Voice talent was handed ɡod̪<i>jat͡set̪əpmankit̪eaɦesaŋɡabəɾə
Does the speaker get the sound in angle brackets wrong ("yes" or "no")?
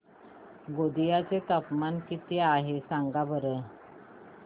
no